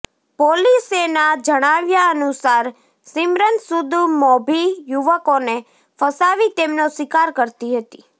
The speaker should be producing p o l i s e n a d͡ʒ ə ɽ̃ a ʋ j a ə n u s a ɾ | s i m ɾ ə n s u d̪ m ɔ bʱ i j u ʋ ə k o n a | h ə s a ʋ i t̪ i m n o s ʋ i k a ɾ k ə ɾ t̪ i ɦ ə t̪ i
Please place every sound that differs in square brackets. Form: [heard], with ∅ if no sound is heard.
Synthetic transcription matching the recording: p o l i s e n a d͡ʒ ə ɽ̃ a ʋ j a ə n u s a ɾ | s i m ɾ ə n s u d̪ m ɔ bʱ i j u ʋ ə k o n [e] | [f] ə s a ʋ i t̪ [e] m n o s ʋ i k a ɾ k ə ɾ t̪ i ɦ ə t̪ i